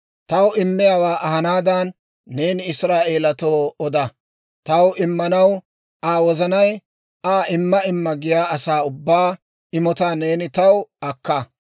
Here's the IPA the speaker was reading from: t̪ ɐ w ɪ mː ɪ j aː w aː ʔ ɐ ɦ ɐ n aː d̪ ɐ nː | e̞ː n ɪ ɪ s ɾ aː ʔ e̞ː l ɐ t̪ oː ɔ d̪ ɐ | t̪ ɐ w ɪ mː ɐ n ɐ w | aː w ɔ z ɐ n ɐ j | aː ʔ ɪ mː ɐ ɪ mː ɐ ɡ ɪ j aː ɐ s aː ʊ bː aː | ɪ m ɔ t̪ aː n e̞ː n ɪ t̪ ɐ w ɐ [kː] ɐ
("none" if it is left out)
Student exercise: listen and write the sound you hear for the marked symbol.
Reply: kː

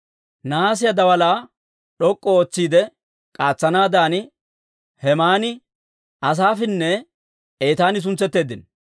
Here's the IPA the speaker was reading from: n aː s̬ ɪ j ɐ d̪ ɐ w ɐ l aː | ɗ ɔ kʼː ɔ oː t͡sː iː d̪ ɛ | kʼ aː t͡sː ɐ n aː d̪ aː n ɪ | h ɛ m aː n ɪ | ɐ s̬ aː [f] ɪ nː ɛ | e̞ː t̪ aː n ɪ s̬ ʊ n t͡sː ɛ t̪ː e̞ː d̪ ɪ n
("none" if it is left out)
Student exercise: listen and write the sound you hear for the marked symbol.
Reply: f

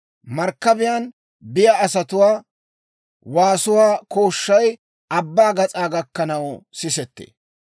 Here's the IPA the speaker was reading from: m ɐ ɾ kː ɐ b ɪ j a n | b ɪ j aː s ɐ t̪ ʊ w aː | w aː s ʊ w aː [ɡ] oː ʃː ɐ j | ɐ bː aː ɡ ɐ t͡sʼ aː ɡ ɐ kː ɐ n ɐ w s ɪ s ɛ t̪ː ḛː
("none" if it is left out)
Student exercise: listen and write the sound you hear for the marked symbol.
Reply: k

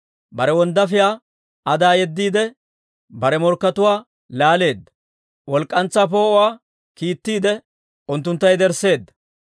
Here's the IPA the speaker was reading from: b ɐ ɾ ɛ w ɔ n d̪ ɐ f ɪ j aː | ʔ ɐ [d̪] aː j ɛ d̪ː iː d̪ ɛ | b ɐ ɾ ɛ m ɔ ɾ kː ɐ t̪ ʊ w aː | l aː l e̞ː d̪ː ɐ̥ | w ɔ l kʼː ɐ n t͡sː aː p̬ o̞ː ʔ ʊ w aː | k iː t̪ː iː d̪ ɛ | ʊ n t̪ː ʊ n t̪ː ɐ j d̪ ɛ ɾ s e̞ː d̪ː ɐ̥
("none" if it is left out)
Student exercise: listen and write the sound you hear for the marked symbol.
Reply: d̪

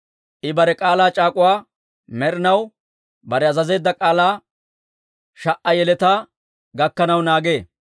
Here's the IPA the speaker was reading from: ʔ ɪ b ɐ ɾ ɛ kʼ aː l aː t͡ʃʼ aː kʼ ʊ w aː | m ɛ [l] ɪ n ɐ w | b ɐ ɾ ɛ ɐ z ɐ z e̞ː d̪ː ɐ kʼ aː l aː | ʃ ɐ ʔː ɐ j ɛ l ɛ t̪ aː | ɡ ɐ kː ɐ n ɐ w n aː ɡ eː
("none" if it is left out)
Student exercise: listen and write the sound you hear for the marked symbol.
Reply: ɾ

